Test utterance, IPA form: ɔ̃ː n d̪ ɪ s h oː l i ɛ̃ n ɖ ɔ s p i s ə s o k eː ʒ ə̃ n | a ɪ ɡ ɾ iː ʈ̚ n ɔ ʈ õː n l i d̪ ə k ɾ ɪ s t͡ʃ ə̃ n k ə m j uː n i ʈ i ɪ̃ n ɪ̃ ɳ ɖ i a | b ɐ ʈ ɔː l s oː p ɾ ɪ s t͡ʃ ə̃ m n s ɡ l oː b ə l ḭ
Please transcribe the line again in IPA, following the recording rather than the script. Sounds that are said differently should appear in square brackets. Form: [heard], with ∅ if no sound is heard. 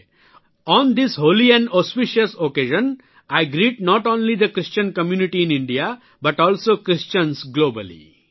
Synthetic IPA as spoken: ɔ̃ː n d̪ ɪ s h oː l i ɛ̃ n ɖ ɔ s p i [ʃ] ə s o k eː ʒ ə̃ n | a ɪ ɡ ɾ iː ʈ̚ n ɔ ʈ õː n l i d̪ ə k ɾ ɪ s t͡ʃ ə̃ n k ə m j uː n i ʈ i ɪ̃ n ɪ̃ ɳ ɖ i a | b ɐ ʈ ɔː l s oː [k] ɾ ɪ s t͡ʃ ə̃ [∅] n s ɡ l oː b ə l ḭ